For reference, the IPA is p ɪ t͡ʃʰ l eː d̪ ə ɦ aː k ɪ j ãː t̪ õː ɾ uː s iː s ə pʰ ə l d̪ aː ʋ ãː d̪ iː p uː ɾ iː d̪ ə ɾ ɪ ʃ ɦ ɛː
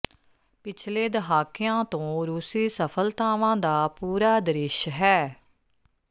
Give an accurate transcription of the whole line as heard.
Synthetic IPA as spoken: p ɪ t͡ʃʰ l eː d̪ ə ɦ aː k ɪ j ãː t̪ õː ɾ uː s iː s ə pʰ ə l t̪ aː ʋ ãː d̪ aː p uː ɾ aː d̪ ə ɾ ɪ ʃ ɦ ɛː